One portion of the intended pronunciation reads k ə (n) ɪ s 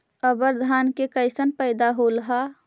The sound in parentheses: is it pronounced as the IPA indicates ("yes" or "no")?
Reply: no